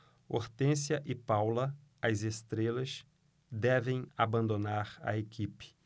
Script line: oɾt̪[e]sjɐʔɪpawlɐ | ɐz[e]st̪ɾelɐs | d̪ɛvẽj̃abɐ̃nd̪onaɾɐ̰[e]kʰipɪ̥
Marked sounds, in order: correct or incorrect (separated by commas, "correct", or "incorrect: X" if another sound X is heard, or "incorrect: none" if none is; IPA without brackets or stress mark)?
incorrect: ẽ, correct, correct